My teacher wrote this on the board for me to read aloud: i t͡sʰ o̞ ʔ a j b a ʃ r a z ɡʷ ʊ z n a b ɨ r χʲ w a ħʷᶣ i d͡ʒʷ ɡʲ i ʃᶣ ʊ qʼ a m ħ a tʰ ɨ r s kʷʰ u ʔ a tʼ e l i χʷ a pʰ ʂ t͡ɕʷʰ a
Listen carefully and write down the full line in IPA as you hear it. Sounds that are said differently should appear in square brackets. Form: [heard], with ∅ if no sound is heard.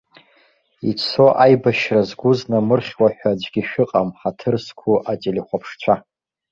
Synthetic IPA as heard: i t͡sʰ o̞ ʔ a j b a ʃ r a z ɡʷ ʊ z n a [m] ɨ r χʲ w a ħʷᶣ [a] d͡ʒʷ ɡʲ i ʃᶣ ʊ qʼ a m ħ a tʰ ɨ r s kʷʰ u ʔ a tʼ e l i χʷ a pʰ ʂ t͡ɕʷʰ a

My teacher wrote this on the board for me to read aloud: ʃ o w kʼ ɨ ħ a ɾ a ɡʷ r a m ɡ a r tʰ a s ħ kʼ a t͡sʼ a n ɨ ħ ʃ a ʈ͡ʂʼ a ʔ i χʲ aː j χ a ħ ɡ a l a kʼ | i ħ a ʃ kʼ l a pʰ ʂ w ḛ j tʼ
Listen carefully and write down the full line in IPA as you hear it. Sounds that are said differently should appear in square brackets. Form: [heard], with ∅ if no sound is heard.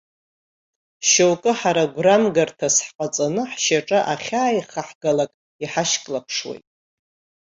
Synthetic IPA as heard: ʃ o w kʼ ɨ ħ a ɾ a ɡʷ r a m ɡ a r tʰ a s ħ [qʼ] a t͡sʼ a n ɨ ħ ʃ a ʈ͡ʂʼ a ʔ [a] χʲ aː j χ a ħ ɡ a l a kʼ | i ħ a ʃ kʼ l a pʰ ʂ w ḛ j tʼ

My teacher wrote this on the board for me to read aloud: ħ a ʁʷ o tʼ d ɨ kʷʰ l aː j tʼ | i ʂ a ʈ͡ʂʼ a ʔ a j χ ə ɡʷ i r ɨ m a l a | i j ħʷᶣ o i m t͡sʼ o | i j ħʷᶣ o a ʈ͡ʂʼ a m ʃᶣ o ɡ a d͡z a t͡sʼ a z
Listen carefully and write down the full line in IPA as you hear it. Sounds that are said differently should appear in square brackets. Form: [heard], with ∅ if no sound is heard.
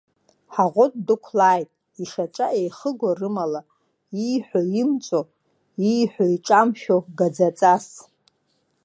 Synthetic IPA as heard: ħ a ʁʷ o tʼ d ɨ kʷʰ l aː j tʼ | i ʂ a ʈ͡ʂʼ a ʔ [e] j χ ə ɡʷ [a] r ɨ m a l a | i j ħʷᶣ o i m t͡sʼ o | i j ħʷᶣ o [i] ʈ͡ʂʼ a m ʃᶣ o ɡ a d͡z a t͡sʼ a [s]

